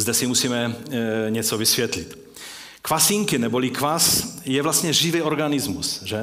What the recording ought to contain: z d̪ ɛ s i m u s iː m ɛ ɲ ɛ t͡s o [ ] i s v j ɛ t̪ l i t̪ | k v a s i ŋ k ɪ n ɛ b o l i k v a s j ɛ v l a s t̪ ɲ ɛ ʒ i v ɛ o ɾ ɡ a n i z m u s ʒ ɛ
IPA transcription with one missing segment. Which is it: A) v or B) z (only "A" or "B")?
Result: A